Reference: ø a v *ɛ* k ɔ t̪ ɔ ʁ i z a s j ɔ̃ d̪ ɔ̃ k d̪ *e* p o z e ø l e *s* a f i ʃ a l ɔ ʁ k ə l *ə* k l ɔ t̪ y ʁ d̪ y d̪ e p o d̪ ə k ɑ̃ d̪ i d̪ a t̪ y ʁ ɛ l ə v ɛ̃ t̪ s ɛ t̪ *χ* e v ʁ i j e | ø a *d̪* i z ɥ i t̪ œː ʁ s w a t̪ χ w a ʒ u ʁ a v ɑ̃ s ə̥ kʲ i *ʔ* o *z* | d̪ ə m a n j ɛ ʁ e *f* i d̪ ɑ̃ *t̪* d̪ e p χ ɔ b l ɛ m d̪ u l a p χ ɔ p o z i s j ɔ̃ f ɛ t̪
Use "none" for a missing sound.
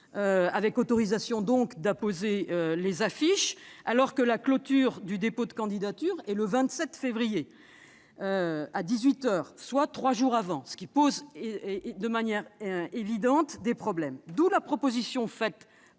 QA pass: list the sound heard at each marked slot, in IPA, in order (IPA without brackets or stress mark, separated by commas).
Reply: ɛ, a, z, a, f, d̪, p, z, v, t̪